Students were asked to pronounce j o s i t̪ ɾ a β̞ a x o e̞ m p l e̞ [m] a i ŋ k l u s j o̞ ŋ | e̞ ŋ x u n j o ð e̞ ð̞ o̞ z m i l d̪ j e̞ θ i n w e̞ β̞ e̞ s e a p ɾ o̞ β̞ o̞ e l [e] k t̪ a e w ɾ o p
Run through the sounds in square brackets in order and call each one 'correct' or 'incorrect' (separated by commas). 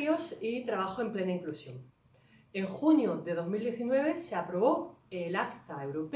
incorrect, incorrect